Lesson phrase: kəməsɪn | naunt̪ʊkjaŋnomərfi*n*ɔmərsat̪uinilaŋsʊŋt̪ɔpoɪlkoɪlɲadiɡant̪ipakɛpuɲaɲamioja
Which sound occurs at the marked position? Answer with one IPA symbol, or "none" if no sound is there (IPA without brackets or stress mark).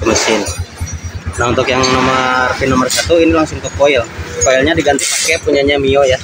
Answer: n